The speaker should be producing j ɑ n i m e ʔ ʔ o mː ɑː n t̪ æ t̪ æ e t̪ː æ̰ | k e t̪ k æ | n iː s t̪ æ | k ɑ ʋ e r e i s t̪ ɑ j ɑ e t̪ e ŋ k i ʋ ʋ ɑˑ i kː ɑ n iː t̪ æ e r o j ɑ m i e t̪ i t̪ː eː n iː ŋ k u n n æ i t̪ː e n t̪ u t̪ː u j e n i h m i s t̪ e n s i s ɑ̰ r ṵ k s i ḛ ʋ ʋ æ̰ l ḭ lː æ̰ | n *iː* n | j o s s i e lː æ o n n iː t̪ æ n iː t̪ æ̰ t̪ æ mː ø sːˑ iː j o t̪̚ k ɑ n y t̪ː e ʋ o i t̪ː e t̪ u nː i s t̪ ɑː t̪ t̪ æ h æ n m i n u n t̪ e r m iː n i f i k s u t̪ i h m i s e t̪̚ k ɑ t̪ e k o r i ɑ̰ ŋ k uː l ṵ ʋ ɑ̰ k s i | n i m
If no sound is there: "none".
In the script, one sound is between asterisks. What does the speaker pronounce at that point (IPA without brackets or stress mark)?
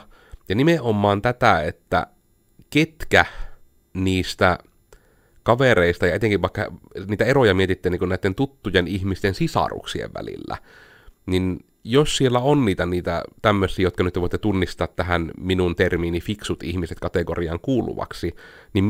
i